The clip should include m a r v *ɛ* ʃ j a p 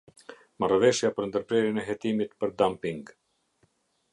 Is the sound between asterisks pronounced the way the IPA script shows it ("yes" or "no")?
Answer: yes